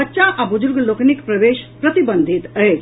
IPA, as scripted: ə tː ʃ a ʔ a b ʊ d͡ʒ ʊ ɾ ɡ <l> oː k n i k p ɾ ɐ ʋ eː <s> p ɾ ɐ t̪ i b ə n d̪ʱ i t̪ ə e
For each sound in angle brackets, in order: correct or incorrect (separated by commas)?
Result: correct, incorrect